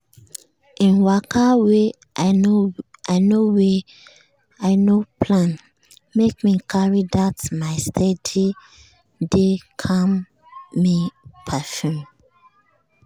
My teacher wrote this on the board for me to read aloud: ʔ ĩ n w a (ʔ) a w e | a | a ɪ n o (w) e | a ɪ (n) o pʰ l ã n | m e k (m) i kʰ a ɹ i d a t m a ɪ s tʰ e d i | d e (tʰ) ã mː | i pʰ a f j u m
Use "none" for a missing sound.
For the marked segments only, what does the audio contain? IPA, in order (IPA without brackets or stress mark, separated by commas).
k, w, n, m, kʰ